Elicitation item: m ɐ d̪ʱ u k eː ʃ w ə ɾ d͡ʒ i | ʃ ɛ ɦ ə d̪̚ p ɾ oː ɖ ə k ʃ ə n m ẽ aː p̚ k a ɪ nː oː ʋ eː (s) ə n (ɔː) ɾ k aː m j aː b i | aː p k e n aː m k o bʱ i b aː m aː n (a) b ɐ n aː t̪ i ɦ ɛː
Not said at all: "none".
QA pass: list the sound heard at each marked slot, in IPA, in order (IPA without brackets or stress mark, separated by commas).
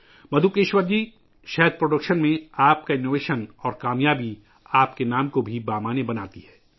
ʃ, ɔː, e